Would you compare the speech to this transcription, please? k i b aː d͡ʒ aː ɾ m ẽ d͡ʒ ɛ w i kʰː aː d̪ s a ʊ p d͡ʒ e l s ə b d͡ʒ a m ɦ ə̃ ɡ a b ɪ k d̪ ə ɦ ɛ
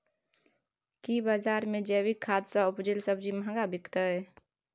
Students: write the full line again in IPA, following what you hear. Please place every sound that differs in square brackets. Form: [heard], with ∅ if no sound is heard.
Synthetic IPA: k i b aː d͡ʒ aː ɾ m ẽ d͡ʒ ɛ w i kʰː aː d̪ s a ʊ p d͡ʒ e l s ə b d͡ʒ [i] m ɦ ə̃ ɡ a b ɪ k [t̪] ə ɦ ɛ

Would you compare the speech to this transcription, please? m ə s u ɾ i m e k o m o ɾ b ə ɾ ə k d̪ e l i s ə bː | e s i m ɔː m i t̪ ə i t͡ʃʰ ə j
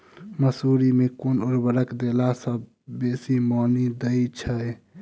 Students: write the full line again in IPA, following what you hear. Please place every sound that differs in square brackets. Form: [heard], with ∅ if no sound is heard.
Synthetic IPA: m ə s u ɾ i m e k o [n] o ɾ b ə ɾ ə k d̪ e l [a] s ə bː | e s i m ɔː [n] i [d̪] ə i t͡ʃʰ ə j

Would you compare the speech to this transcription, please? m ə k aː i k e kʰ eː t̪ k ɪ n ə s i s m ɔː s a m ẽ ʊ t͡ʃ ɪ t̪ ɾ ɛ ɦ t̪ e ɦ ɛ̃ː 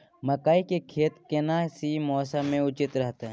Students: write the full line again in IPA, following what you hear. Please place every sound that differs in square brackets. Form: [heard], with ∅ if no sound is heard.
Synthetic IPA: m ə k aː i k e kʰ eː t̪ k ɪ n [a] s i [∅] m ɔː s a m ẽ ʊ t͡ʃ ɪ t̪ ɾ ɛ ɦ t̪ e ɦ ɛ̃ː

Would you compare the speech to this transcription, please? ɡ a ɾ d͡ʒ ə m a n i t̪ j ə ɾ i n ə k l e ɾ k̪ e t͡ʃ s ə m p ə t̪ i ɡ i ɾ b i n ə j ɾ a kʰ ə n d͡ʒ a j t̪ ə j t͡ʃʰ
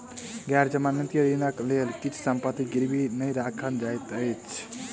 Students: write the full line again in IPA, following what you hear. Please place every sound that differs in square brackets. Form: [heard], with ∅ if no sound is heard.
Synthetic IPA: ɡ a ɾ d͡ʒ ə m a n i t̪ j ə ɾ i n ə k l e [l] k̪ [i] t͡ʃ s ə m p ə t̪ i ɡ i ɾ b i n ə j ɾ a kʰ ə n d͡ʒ a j t̪ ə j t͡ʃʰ

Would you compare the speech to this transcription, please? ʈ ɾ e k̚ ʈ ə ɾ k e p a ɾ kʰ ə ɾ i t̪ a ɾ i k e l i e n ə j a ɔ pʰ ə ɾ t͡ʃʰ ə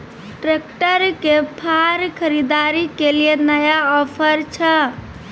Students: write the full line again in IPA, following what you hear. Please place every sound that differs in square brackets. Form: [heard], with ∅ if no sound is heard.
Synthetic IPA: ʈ ɾ e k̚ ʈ ə ɾ k e [pʰ] a ɾ kʰ ə ɾ i [d̪] a ɾ i k e l i e n ə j a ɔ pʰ ə ɾ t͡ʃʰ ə

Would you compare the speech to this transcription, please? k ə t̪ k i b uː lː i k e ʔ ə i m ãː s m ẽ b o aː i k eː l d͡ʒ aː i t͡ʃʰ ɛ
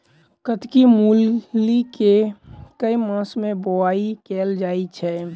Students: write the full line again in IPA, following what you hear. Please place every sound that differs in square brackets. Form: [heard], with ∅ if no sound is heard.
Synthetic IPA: k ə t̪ k i [m] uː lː i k e [k] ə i m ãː s m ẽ b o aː i k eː l d͡ʒ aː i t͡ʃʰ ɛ

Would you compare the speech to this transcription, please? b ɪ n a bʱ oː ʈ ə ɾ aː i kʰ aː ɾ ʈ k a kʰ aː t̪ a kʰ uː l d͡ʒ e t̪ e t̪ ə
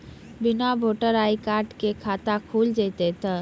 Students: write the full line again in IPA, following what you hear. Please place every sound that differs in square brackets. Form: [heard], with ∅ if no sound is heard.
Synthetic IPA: b ɪ n a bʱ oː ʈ ə ɾ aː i [k] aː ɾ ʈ k [e] kʰ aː t̪ a kʰ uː l d͡ʒ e t̪ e t̪ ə

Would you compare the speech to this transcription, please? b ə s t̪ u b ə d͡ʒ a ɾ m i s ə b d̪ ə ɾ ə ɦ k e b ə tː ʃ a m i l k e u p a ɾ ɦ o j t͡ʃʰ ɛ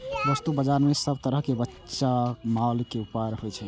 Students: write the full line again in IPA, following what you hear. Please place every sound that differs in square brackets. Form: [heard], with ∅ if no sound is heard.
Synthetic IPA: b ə s t̪ u b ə d͡ʒ a ɾ m [e] s ə b [t̪] ə ɾ ə ɦ k e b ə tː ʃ a m [a] l k e u p a ɾ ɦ o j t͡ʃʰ ɛ

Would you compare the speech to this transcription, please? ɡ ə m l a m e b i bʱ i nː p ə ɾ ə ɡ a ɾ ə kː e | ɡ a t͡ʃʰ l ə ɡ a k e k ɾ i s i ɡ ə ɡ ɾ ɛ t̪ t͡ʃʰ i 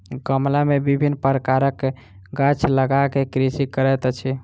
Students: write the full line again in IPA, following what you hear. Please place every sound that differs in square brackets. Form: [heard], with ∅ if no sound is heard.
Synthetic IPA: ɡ ə m l a m e b i bʱ i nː p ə ɾ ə [k] a ɾ ə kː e | ɡ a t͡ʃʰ l ə ɡ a k e k ɾ i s i [k] ə [∅] ɾ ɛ t̪ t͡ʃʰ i

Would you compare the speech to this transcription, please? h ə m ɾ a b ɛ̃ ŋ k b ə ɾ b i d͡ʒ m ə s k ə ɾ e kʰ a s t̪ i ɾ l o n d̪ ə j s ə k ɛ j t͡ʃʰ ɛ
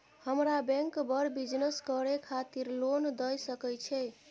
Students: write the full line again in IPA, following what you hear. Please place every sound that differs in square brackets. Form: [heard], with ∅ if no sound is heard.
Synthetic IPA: h ə m ɾ a b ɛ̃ ŋ k b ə ɾ b i d͡ʒ [n] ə s k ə ɾ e kʰ a [∅] t̪ i ɾ l o n d̪ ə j s ə k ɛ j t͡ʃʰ ɛ

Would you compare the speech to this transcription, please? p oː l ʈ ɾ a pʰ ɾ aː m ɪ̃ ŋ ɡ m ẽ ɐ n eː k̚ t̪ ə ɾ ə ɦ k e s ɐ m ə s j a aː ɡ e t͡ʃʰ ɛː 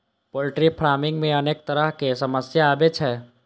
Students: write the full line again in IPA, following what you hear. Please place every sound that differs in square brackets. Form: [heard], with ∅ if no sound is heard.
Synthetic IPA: p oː l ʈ ɾ [i] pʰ ɾ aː m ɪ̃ ŋ ɡ m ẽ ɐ n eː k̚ t̪ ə ɾ ə ɦ k e s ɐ m ə s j a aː [b] e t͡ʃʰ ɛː

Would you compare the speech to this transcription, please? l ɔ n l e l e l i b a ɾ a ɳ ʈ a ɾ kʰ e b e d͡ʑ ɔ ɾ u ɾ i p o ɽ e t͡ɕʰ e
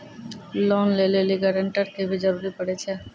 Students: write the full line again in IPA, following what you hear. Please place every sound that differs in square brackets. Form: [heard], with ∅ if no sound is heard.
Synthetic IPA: l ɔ n l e l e l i [ɡ] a ɾ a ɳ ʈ a ɾ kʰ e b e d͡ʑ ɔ ɾ u ɾ i p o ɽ e t͡ɕʰ e

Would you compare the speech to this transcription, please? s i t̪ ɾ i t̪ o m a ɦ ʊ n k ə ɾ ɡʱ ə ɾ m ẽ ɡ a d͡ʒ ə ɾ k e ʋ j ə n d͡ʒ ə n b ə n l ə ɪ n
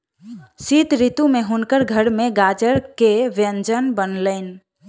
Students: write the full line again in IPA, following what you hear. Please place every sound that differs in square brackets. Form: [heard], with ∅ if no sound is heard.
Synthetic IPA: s i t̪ ɾ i t̪ [u] m [e] ɦ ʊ n k ə ɾ ɡʱ ə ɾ m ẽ ɡ a d͡ʒ ə ɾ k e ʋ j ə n d͡ʒ ə n b ə n l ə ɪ n

